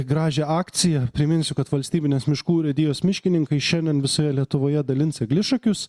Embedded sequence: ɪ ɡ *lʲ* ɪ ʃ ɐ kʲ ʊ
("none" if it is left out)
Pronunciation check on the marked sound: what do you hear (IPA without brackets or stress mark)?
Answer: lʲ